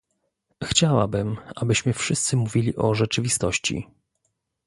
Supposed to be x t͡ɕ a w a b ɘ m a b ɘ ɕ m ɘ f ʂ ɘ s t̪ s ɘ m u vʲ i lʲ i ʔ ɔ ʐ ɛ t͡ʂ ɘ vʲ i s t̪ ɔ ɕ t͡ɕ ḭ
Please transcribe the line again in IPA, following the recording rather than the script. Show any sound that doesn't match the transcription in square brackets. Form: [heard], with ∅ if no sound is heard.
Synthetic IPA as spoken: x t͡ɕ a w a b ɘ m a b ɘ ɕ m ɘ f ʂ ɘ s t̪ s ɘ m u vʲ i lʲ i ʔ ɔ ʐ ɛ t͡ʂ ɘ vʲ i s t̪ ɔ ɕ t͡ɕ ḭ